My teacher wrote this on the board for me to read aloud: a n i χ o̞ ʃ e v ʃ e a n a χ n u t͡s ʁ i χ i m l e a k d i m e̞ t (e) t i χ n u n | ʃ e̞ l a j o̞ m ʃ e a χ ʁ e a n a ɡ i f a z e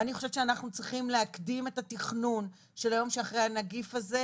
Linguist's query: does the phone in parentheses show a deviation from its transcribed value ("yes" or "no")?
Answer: yes